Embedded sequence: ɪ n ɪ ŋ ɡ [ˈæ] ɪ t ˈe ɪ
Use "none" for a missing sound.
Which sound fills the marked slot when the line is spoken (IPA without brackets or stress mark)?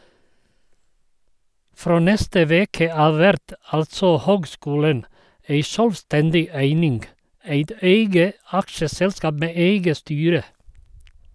æ